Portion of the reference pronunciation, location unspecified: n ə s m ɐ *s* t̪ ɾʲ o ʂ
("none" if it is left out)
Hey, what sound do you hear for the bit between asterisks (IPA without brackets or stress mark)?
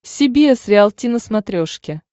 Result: none